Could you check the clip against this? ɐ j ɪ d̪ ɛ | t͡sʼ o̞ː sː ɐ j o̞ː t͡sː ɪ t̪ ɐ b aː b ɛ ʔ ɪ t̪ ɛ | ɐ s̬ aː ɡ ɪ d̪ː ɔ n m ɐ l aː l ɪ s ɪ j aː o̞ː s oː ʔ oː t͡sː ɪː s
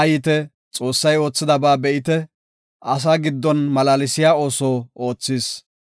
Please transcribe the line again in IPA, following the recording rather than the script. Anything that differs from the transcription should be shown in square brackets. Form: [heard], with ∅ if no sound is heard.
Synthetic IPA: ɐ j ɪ [t̪] ɛ | t͡sʼ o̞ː sː ɐ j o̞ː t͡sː ɪ [d̪] ɐ b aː b ɛ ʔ ɪ t̪ ɛ | ɐ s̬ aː ɡ ɪ d̪ː ɔ n m ɐ l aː l ɪ s ɪ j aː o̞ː s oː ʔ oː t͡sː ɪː s